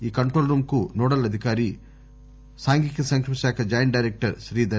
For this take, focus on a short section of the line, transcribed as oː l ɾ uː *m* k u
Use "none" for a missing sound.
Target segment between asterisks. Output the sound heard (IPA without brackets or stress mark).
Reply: m